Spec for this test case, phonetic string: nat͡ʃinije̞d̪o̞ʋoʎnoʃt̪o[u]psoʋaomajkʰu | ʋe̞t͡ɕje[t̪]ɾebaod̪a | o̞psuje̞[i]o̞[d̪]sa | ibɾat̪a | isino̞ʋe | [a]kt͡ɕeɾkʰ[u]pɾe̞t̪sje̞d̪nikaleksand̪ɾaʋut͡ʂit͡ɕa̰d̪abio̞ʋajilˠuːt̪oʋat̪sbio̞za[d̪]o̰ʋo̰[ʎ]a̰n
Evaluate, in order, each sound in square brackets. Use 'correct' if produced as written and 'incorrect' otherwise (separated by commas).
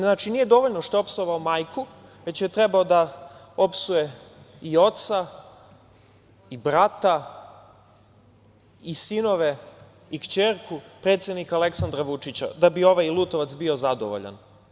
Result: incorrect, correct, correct, incorrect, incorrect, correct, correct, correct